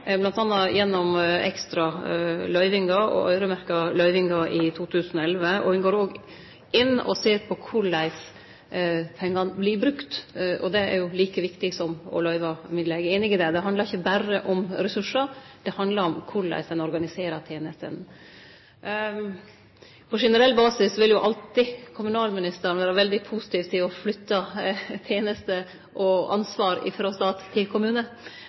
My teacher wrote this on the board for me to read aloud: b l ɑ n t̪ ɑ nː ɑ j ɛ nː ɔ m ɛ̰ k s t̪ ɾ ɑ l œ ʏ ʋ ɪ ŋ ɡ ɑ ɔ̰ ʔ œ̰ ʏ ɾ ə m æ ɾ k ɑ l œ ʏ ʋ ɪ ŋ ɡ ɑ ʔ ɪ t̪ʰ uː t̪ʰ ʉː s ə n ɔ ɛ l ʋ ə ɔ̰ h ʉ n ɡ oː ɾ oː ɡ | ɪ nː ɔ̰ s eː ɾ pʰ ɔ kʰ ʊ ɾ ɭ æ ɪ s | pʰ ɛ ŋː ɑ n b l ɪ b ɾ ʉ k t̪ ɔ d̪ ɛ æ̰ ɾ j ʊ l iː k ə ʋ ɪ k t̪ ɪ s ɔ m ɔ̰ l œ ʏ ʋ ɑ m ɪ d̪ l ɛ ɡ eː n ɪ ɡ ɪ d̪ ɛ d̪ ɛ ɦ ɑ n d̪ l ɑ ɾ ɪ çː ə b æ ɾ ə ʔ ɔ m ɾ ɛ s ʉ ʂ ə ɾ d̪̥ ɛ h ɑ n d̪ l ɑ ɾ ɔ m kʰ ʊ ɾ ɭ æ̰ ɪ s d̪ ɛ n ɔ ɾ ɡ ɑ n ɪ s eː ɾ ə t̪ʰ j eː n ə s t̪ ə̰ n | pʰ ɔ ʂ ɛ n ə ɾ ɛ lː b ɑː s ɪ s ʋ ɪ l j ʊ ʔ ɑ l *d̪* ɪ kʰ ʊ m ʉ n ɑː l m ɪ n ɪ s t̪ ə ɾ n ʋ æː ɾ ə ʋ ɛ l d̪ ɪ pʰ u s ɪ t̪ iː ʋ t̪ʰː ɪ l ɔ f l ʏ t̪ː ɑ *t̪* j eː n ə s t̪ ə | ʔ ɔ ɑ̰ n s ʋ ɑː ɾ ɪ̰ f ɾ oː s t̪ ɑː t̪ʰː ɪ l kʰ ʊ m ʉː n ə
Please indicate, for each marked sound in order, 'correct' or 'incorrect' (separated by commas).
incorrect, incorrect